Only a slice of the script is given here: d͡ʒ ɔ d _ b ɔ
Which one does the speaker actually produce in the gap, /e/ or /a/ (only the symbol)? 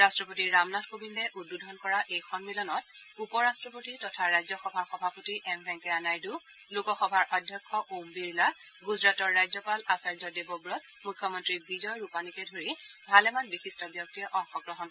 e